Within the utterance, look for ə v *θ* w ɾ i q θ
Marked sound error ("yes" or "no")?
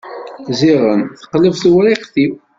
no